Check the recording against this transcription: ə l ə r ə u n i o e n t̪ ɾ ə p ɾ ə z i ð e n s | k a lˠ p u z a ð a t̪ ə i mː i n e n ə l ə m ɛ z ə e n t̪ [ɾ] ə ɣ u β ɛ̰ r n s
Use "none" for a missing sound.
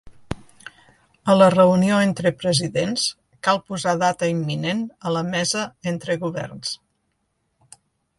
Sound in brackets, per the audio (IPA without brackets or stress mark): ɾ